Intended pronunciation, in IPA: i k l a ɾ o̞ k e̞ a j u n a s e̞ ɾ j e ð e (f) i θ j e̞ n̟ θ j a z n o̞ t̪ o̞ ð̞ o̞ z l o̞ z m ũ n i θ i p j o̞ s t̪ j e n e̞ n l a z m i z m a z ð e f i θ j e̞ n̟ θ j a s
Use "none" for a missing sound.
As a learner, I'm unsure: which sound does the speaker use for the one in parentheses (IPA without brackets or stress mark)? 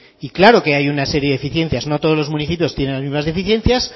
f